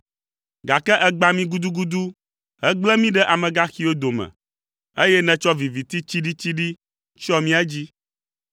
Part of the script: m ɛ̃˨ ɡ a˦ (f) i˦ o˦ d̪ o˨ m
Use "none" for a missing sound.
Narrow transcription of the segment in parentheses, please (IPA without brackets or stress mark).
x